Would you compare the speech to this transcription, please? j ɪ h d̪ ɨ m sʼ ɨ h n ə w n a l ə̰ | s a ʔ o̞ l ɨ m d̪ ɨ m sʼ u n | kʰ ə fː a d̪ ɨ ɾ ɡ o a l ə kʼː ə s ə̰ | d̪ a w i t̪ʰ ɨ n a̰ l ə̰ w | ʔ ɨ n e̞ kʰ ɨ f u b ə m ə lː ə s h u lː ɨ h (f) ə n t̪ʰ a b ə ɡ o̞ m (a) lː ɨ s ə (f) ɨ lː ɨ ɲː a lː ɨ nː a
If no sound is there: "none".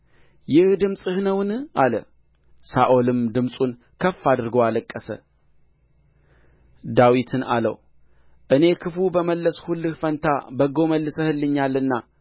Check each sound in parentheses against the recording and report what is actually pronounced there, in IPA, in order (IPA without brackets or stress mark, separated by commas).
f, ə, h